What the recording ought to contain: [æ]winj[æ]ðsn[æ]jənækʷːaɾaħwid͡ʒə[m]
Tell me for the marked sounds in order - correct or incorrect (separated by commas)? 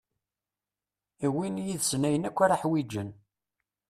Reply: incorrect, incorrect, correct, incorrect